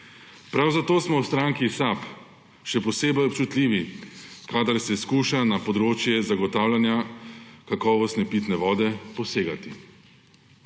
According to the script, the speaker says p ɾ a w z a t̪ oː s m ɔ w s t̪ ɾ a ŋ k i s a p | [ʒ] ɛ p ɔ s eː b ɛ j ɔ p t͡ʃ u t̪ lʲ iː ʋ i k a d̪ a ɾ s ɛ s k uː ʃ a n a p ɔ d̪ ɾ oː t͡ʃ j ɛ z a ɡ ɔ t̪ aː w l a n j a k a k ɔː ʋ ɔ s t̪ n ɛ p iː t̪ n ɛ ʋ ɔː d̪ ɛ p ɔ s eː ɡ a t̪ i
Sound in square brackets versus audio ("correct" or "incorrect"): incorrect